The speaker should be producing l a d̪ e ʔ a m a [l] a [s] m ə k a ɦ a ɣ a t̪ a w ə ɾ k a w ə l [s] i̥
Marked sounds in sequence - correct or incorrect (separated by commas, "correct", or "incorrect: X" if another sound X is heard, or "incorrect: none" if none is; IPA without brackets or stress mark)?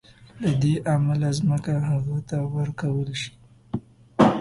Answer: correct, incorrect: z, incorrect: ʃ